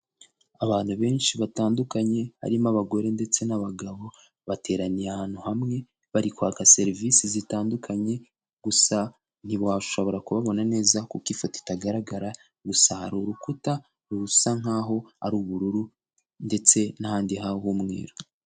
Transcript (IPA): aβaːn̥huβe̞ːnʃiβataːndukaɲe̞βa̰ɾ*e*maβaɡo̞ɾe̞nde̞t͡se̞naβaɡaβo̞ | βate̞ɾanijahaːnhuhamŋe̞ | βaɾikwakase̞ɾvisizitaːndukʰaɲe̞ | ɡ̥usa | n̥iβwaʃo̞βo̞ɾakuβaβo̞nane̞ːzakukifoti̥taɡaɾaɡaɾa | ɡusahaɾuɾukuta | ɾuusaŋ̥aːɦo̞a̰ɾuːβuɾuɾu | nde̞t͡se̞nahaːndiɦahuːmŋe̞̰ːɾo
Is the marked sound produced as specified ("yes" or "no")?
no